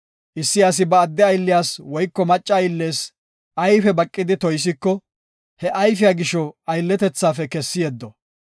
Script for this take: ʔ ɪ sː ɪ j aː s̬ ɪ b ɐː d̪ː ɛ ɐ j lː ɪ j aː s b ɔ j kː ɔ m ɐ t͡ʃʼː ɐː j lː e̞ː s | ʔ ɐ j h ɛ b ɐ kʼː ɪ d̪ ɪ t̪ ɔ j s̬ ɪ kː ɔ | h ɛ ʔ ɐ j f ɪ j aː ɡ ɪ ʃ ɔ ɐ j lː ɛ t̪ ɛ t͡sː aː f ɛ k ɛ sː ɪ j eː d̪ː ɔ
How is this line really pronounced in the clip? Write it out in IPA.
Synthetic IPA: ʔ ɪ sː ɪ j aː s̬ ɪ b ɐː d̪ː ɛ ɐ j lː ɪ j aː s w ɔ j kː ɔ m ɐ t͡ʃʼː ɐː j lː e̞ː s | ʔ ɐ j f ɛ b ɐ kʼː ɪ d̪ ɪ t̪ ɔ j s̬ ɪ kː ɔ | h ɛ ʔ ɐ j f ɪ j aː ɡ ɪ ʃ ɔ ɐ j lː ɛ t̪ ɛ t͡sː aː f ɛ k ɛ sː ɪ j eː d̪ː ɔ